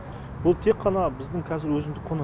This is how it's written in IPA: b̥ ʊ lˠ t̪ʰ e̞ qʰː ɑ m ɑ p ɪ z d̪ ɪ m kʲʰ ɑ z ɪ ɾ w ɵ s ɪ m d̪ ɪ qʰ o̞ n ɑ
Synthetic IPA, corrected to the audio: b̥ ʊ lˠ t̪ʰ e̞ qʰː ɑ n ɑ b ɪ z d̪ ɪ ŋ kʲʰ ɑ z ɪ ɾ w ɵ z ɪ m d̪ ɪ qʰ o̞ n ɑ